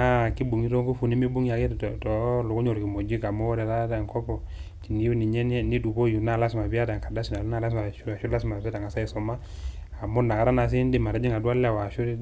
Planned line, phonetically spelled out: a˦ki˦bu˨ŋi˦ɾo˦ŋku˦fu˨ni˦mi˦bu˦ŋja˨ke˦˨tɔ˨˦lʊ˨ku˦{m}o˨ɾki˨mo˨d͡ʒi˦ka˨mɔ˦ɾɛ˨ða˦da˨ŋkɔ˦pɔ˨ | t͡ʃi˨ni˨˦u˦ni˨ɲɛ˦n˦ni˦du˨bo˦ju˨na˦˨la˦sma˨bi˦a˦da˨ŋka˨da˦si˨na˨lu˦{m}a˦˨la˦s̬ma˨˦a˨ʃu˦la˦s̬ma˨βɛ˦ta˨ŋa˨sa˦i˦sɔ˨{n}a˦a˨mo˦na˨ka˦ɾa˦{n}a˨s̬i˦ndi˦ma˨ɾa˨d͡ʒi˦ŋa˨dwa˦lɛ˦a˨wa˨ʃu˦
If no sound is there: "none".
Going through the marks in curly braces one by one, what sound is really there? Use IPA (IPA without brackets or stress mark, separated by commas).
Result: ɲ, n, m, n